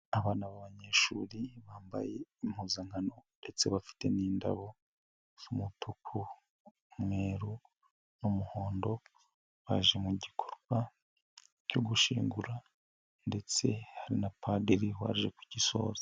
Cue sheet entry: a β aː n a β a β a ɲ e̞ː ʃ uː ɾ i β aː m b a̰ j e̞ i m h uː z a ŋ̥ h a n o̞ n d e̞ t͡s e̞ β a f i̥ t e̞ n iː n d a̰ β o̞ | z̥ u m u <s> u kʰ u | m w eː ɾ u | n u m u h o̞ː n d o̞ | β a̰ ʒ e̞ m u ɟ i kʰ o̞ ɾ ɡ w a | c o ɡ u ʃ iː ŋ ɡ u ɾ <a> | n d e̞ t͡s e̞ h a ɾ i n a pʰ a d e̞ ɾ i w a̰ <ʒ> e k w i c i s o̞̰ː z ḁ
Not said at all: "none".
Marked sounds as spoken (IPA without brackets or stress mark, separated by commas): t, a, ʒ